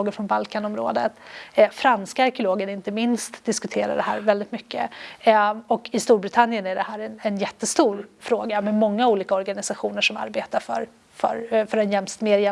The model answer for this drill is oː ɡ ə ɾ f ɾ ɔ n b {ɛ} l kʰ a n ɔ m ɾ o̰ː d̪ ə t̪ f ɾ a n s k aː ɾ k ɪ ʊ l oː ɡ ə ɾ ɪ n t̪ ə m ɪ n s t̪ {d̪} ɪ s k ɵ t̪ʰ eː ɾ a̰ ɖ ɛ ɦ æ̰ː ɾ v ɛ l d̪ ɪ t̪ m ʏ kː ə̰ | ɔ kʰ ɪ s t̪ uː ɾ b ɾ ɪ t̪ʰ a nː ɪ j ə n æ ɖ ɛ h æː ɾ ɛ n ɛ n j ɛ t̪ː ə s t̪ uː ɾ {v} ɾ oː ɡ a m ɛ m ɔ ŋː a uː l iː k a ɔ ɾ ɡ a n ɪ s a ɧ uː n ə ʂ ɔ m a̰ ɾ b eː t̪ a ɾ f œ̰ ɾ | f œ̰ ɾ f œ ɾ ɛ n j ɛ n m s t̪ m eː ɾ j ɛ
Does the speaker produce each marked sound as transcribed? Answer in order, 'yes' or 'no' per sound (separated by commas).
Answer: no, yes, no